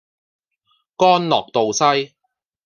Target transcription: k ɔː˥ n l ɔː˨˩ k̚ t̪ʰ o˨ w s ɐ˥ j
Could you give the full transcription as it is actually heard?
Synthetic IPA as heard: k ɔː˥ n l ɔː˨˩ k̚ t̪ o˨ w s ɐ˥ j